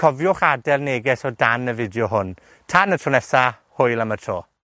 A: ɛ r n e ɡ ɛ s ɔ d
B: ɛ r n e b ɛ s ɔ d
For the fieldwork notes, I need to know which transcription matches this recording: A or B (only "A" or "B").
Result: A